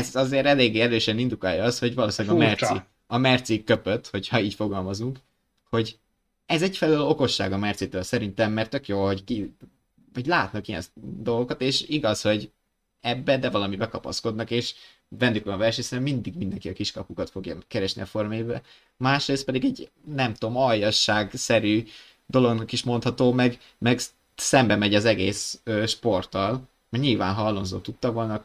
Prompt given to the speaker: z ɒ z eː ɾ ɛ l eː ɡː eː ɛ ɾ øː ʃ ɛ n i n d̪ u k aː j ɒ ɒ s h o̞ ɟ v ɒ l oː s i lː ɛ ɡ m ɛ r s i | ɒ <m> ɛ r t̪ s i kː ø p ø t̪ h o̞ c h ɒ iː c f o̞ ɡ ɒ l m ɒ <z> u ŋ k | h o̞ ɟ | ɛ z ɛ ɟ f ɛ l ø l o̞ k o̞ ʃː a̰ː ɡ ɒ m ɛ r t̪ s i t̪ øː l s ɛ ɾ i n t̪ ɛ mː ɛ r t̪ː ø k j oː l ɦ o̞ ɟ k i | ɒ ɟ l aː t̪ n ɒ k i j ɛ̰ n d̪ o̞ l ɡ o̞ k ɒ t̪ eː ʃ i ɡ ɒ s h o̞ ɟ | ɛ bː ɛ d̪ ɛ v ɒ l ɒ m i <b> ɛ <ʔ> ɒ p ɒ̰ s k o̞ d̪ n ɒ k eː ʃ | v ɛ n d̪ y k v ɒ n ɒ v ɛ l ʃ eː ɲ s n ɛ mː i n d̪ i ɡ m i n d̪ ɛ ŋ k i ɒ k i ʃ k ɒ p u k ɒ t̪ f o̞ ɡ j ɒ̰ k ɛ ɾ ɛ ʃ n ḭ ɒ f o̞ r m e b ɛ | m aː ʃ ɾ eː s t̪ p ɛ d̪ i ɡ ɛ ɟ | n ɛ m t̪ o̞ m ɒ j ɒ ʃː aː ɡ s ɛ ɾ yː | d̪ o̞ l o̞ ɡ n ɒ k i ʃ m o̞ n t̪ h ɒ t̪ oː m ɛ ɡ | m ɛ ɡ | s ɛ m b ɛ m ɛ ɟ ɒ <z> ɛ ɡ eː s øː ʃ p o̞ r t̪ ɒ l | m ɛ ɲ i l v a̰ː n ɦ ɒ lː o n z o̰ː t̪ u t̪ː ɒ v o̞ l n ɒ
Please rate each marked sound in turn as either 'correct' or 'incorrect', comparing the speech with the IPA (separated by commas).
correct, correct, correct, incorrect, correct